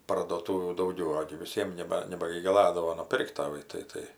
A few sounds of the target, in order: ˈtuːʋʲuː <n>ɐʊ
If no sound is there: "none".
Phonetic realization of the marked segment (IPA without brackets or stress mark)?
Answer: d